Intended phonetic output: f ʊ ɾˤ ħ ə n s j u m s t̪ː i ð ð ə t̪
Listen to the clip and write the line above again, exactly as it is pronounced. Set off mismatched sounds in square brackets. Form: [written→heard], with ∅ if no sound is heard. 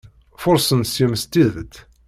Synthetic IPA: f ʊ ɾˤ [ħ→s] ə n s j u m s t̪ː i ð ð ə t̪